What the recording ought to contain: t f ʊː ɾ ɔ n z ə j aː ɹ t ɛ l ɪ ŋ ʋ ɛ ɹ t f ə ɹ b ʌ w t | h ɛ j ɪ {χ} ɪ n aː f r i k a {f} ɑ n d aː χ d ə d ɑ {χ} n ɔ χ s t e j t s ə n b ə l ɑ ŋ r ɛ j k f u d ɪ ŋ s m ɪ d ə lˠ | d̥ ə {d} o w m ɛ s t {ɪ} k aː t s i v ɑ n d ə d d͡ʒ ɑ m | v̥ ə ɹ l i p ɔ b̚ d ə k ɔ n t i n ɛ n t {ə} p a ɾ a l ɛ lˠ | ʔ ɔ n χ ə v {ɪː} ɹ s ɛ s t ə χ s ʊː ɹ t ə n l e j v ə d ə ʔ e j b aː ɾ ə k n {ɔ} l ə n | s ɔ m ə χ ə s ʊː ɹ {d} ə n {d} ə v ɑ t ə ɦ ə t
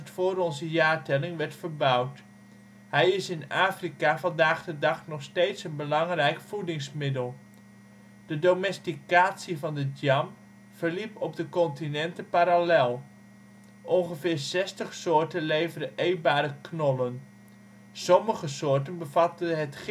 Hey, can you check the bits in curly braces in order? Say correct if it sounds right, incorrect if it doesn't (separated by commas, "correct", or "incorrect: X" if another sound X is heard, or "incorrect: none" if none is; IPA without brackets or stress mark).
incorrect: s, incorrect: v, correct, correct, incorrect: i, correct, correct, correct, incorrect: t, incorrect: b